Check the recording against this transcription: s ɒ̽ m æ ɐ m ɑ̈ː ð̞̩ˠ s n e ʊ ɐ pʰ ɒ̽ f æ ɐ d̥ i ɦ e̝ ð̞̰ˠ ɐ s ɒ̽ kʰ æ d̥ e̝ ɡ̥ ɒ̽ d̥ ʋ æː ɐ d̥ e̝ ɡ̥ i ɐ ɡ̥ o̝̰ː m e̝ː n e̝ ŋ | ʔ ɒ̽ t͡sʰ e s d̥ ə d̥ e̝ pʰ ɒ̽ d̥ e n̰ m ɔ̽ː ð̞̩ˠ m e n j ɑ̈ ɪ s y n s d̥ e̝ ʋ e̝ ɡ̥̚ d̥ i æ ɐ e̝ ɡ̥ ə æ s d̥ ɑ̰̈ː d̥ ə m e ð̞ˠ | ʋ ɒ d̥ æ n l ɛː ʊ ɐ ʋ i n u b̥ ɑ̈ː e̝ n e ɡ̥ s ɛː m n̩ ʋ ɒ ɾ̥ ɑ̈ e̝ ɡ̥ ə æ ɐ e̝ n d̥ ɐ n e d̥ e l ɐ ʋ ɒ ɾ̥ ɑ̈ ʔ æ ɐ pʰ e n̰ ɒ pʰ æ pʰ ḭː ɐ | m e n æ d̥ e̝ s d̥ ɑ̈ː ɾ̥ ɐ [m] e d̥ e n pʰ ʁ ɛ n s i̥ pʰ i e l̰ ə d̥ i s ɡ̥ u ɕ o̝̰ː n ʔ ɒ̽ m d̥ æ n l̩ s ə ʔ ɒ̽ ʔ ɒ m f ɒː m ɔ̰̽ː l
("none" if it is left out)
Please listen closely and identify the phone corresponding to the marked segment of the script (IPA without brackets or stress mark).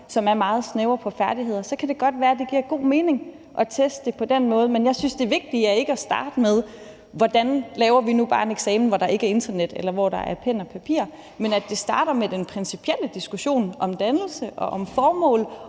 m